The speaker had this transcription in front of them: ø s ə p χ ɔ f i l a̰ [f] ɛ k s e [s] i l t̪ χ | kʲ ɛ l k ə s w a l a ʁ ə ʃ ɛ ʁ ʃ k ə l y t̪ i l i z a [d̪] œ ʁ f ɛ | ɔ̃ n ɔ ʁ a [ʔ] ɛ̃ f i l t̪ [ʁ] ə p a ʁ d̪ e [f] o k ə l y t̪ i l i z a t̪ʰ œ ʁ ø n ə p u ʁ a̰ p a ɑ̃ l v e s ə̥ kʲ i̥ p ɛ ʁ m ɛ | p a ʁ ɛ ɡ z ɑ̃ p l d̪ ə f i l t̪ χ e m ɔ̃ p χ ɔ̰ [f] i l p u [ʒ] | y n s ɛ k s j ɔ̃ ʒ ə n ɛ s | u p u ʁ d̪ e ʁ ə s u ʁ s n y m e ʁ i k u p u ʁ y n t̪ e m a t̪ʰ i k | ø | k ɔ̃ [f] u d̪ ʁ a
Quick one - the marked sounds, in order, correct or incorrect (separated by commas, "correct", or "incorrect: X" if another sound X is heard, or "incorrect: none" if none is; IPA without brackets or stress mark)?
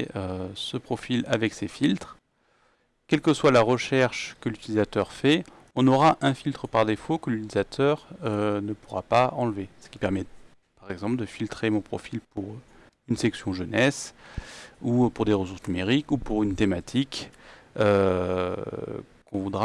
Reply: incorrect: v, incorrect: f, incorrect: t̪, correct, incorrect: χ, correct, correct, incorrect: ʁ, incorrect: v